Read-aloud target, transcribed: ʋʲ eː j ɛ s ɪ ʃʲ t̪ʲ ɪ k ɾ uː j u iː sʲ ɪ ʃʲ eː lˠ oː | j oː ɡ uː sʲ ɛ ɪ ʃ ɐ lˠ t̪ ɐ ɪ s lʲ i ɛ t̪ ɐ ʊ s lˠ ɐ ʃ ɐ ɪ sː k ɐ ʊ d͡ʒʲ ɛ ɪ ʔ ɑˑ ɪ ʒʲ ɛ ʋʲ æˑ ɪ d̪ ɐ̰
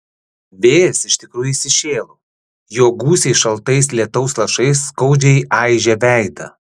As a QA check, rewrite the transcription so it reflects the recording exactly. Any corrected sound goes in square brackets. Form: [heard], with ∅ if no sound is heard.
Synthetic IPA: ʋʲ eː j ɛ s ɪ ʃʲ t̪ʲ ɪ k ɾ uː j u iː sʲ ɪ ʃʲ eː lˠ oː | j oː ɡ uː sʲ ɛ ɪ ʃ ɐ lˠ t̪ ɐ ɪ s lʲ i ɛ t̪ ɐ ʊ s lˠ ɐ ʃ ɐ ɪ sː k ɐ ʊ d͡ʒʲ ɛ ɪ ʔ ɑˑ ɪ ʒʲ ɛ ʋʲ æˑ ɪ d̪ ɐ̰